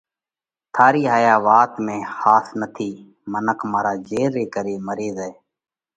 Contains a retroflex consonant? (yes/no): no